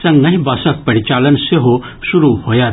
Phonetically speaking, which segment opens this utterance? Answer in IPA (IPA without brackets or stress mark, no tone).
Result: s